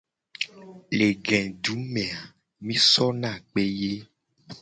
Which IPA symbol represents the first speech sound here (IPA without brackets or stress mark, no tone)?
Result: l